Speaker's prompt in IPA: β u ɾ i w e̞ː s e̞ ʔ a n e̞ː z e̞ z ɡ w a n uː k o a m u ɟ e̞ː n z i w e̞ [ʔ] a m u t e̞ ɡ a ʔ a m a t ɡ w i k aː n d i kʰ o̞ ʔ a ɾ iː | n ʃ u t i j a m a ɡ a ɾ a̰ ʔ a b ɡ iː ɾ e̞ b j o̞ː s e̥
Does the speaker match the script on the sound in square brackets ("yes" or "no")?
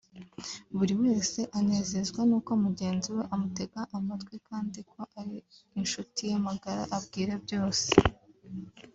yes